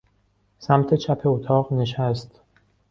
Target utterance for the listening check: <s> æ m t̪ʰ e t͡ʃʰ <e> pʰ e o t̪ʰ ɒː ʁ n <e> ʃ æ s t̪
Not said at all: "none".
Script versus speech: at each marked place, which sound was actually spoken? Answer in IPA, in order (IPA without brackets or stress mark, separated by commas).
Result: s, æ, e